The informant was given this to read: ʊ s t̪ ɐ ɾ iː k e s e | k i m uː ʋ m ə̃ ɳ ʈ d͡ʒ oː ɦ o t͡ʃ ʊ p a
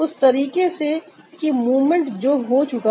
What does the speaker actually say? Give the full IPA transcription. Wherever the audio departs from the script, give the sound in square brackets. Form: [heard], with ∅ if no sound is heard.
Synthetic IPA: ʊ s t̪ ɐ ɾ iː k e s e | k i m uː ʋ m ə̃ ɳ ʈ d͡ʒ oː ɦ o t͡ʃ ʊ [k] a

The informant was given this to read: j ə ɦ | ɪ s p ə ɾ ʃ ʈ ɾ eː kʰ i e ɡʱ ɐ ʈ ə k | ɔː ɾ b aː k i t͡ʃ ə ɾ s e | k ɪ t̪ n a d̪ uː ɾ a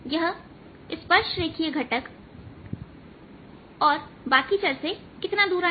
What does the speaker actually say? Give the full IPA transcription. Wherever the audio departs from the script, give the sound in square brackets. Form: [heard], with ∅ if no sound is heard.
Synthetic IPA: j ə ɦ | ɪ s p ə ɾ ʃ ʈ ɾ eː kʰ i e ɡʱ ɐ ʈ ə k | ɔː ɾ b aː k i t͡ʃ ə ɾ s e | k ɪ t̪ n a d̪ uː ɾ a

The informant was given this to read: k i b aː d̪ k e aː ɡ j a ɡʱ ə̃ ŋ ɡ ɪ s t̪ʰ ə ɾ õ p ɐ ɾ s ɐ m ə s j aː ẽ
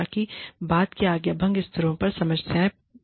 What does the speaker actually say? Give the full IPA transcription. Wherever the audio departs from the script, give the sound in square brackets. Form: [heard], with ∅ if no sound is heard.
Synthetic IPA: k i b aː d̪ k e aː ɡ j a [bʱ] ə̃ ŋ ɡ ɪ s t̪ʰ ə ɾ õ p ɐ ɾ s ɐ m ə s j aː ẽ

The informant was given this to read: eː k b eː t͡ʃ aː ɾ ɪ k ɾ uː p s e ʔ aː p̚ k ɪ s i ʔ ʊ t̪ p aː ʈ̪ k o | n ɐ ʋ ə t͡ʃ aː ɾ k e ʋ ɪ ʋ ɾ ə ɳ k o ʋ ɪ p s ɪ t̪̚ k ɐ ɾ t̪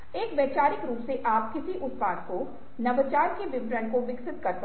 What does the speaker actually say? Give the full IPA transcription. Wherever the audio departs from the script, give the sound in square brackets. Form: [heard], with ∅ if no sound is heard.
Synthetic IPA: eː k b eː t͡ʃ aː ɾ ɪ k ɾ uː p s e ʔ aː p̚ k ɪ s i ʔ ʊ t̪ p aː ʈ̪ k o | n ɐ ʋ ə t͡ʃ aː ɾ k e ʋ ɪ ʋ ɾ ə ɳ k o ʋ ɪ [k] s ɪ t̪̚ k ɐ ɾ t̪

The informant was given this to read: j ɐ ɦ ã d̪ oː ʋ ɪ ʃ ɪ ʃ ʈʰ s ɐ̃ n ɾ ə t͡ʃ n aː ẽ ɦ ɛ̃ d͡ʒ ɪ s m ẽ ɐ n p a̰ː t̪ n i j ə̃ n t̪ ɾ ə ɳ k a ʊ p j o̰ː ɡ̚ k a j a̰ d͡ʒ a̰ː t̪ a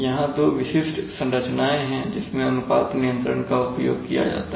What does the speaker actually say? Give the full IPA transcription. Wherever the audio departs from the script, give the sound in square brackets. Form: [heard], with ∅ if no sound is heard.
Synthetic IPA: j ɐ ɦ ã d̪ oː ʋ ɪ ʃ ɪ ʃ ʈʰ s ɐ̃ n ɾ ə t͡ʃ n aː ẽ ɦ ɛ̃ d͡ʒ ɪ s m ẽ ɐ n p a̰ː t̪ n i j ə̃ n t̪ ɾ ə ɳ k a ʊ p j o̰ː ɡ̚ k [i] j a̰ d͡ʒ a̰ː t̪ a

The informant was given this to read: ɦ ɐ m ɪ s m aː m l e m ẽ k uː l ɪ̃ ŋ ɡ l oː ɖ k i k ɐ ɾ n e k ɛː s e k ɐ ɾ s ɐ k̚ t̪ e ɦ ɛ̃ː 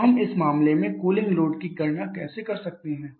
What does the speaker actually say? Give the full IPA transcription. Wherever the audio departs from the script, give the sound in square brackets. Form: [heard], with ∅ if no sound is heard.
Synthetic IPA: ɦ ɐ m ɪ s m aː m l e m ẽ k uː l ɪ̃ ŋ ɡ l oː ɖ k i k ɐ ɾ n [a] k ɛː s e k ɐ ɾ s ɐ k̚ t̪ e ɦ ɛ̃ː

